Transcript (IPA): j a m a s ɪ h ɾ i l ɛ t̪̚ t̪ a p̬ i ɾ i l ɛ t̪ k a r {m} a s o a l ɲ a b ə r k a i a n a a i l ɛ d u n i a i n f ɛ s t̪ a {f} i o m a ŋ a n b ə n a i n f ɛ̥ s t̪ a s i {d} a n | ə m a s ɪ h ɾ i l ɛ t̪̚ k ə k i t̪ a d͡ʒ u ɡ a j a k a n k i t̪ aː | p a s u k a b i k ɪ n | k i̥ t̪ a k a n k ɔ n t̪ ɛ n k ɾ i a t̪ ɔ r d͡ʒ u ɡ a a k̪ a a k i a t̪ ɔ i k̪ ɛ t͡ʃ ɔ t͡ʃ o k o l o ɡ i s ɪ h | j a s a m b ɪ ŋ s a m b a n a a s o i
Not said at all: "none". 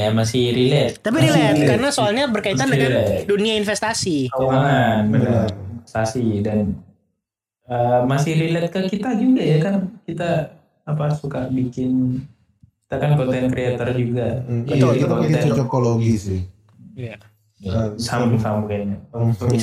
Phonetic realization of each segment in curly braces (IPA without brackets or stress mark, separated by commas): n, s, d